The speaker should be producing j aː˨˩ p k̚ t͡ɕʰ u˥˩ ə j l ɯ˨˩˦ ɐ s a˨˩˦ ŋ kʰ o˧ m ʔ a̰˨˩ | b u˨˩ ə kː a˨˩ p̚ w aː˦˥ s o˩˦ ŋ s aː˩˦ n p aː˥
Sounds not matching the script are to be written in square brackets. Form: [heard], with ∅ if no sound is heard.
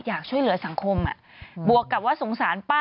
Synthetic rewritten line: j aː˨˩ [∅] k̚ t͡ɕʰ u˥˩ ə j l ɯ˨˩˦ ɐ s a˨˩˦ ŋ kʰ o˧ m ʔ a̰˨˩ | b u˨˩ ə kː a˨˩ p̚ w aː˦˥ s o˩˦ ŋ s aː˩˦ n p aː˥